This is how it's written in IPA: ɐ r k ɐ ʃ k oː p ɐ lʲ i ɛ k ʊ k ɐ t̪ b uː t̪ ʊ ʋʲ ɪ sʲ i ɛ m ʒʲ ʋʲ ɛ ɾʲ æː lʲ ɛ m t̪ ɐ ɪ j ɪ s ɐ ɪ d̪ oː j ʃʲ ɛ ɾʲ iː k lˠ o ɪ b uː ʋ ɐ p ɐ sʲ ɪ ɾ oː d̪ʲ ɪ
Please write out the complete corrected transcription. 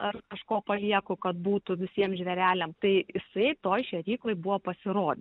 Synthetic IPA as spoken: ɐ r k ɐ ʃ k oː p ɐ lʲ i ɛ k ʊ k ɐ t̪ b uː t̪ ʊ ʋʲ ɪ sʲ i ɛ m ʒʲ ʋʲ ɛ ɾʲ æː lʲ ɛ m t̪ ɐ ɪ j ɪ s ɐ ɪ t̪ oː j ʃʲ ɛ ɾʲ iː k lˠ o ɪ b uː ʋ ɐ p ɐ sʲ ɪ ɾ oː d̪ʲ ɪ

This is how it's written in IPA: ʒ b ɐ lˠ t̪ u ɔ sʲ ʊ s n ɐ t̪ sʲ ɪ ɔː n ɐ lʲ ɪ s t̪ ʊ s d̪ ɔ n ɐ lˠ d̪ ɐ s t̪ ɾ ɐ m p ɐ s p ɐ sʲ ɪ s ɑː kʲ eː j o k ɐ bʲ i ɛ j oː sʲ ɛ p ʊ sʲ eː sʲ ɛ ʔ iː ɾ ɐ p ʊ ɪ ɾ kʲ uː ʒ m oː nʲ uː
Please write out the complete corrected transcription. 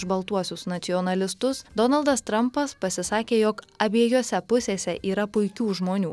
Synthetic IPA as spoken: ʒ b ɐ lˠ t̪ u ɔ sʲ ʊ s n ɐ t̪ sʲ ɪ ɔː n ɐ lʲ ɪ s t̪ ʊ s d̪ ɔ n ɐ lˠ d̪ ɐ s t̪ ɾ ɐ m p ɐ s p ɐ sʲ ɪ s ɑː kʲ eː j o k ɐ bʲ i ɛ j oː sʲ ɛ p ʊ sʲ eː sʲ ɛ ʔ iː ɾ ɐ p ʊ ɪ kʲ uː ʒ m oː nʲ uː

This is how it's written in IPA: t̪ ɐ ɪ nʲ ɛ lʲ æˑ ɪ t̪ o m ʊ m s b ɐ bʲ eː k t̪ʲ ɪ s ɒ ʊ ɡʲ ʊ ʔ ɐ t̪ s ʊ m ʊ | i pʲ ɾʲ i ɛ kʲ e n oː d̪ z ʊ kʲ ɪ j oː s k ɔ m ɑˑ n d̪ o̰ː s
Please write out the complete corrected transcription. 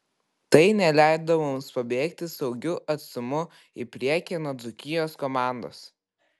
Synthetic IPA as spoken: t̪ ɐ ɪ nʲ ɛ lʲ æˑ ɪ d̪ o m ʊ m s p ɐ bʲ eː k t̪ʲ ɪ s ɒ ʊ ɡʲ ʊ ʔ ɐ t̪ s ʊ m ʊ | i pʲ ɾʲ i ɛ kʲ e n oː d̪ z ʊ kʲ ɪ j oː s k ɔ m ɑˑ n d̪ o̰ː s

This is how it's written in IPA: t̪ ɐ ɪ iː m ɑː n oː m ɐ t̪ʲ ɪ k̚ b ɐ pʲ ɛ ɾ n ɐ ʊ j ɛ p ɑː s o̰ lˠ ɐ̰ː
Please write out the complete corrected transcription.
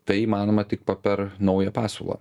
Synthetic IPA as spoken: t̪ ɐ ɪ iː m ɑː n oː m ɐ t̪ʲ ɪ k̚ p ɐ pʲ ɛ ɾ n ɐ ʊ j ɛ p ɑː s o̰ lˠ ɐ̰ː

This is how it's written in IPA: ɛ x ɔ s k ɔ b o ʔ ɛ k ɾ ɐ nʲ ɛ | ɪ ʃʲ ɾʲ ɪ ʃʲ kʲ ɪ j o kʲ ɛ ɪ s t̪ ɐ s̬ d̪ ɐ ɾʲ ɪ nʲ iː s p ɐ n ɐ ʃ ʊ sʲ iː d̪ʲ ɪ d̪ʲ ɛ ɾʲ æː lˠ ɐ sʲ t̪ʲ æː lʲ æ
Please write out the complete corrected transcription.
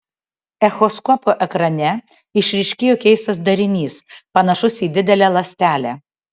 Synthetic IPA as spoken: ɛ x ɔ s k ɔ p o ʔ ɛ k ɾ ɐ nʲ ɛ | ɪ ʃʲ ɾʲ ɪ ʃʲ kʲ ɪ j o kʲ ɛ ɪ s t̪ ɐ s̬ d̪ ɐ ɾʲ ɪ nʲ iː s p ɐ n ɐ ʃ ʊ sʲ iː d̪ʲ ɪ d̪ʲ ɛ lʲ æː lˠ ɐ sʲ t̪ʲ æː lʲ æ

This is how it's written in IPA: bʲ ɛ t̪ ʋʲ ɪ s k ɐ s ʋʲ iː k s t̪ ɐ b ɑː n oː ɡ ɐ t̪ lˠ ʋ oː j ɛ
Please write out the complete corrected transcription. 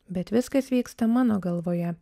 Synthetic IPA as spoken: bʲ ɛ t̪ ʋʲ ɪ s k ɐ s ʋʲ iː k s t̪ ɐ m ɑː n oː ɡ ɐ lˠ ʋ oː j ɛ

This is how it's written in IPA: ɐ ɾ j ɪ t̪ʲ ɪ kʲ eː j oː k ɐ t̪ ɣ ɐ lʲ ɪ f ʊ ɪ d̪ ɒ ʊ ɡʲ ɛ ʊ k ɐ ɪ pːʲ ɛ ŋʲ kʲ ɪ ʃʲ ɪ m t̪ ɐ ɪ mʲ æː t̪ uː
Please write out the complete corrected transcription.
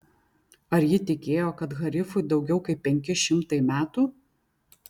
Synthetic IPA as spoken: ɐ ɾ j ɪ t̪ʲ ɪ kʲ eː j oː k ɐ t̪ ɣ ɐ ɾʲ ɪ f ʊ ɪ d̪ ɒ ʊ ɡʲ ɛ ʊ k ɐ ɪ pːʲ ɛ ŋʲ kʲ ɪ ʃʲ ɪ m t̪ ɐ ɪ mʲ æː t̪ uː

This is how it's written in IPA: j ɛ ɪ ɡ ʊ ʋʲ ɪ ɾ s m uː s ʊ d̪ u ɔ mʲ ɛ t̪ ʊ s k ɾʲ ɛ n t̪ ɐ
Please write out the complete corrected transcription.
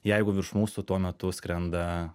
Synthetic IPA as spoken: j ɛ ɪ ɡ ʊ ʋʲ ɪ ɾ ʃ m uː s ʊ t̪ u ɔ mʲ ɛ t̪ ʊ s k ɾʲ ɛ n d̪ ɐ

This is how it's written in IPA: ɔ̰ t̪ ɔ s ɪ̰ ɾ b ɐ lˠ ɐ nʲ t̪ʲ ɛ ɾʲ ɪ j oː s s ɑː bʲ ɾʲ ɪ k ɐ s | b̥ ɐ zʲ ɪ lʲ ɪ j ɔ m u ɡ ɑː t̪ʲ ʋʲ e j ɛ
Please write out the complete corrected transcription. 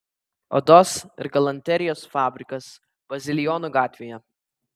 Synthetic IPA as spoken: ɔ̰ d̪ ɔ s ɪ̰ ɾ ɡ ɐ lˠ ɐ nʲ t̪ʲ ɛ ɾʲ ɪ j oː s f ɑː bʲ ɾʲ ɪ k ɐ s | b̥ ɐ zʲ ɪ lʲ ɪ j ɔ n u ɡ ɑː t̪ʲ ʋʲ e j ɛ

